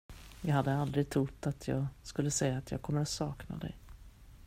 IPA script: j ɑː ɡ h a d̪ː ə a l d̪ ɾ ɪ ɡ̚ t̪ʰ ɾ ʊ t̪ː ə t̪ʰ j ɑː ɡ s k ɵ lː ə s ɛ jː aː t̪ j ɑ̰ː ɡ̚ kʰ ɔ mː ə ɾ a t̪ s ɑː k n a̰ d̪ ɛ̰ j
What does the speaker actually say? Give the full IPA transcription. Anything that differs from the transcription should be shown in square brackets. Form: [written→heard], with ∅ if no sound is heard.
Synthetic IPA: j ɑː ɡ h a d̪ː ə a l d̪ ɾ ɪ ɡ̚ t̪ʰ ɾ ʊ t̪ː [ə→a] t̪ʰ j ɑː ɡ s k ɵ lː ə s ɛ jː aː t̪ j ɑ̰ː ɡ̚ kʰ ɔ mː ə ɾ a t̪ s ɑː k n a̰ d̪ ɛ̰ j